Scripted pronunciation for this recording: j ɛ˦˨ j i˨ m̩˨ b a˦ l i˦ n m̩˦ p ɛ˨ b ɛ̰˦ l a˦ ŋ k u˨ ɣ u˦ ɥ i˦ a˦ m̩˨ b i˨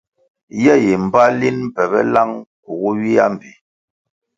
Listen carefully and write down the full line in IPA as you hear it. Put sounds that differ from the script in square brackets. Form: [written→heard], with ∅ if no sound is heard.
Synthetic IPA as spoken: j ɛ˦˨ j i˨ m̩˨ b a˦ l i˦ n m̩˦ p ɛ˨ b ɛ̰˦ l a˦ ŋ k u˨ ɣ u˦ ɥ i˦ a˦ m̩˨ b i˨